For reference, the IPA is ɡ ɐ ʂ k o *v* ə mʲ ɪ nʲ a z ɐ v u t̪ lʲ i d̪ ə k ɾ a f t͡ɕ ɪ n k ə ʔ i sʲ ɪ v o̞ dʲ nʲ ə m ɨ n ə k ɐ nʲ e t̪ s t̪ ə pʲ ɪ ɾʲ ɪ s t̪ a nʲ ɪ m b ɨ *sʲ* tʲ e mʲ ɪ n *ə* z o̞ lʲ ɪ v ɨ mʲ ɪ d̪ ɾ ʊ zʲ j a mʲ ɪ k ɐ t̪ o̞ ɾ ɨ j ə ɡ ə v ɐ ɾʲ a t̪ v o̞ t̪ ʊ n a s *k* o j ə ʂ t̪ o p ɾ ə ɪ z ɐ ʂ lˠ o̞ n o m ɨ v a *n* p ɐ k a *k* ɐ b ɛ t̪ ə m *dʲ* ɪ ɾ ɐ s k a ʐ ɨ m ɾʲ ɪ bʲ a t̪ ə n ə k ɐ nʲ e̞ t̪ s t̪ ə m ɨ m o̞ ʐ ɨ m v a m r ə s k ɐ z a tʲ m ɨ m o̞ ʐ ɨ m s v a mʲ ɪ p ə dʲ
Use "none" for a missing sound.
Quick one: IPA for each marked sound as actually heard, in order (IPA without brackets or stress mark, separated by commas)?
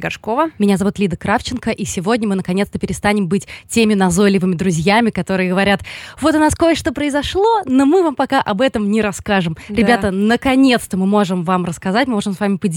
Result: v, tʲ, ɐ, k, m, ʔ, nʲ